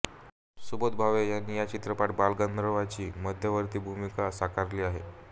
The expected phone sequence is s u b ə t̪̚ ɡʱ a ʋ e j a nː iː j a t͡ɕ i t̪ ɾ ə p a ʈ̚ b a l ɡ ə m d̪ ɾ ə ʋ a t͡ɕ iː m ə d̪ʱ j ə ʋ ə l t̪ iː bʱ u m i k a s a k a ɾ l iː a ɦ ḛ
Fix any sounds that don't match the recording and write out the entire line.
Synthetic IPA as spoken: s u b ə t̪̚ bʱ a ʋ e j a nː iː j a t͡ɕ i t̪ ɾ ə p a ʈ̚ b a l ɡ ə n d̪ ɾ ə ʋ a t͡ɕ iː m ə d̪ʱ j ə ʋ ə ɾ t̪ iː bʱ u m i k a s a k a ɾ l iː a ɦ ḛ